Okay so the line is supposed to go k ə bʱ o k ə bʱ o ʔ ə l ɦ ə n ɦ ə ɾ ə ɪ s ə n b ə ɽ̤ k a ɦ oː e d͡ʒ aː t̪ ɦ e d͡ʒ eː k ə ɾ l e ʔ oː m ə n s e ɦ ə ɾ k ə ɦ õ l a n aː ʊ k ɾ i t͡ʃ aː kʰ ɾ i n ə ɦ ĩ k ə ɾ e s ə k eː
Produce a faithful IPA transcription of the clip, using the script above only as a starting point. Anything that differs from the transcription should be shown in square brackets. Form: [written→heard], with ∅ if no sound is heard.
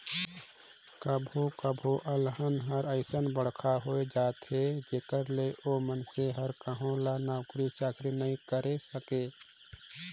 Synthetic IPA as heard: k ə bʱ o k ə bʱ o ʔ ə l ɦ ə n ɦ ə ɾ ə ɪ s ə n b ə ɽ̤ [k→kʰ] a ɦ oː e d͡ʒ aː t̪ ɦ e d͡ʒ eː k ə ɾ l e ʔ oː m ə n s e ɦ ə ɾ k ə ɦ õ l a n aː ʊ k ɾ i t͡ʃ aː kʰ ɾ i n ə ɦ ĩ k ə ɾ e s ə k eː